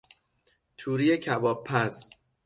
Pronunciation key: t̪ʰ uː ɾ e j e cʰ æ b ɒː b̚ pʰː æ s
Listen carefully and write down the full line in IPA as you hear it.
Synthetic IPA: t̪ʰ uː ɾ i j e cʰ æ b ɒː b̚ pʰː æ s